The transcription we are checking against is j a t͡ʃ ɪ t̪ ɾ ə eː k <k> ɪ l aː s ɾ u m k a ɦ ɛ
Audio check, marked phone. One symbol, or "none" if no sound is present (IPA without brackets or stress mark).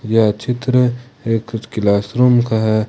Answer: k